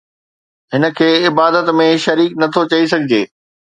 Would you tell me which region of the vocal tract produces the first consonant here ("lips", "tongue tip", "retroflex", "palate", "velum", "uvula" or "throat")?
throat